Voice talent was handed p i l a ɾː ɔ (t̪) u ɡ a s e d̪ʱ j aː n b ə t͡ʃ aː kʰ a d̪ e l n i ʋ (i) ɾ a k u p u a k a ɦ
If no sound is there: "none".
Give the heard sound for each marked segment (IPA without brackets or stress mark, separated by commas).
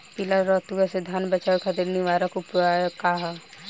t̪, a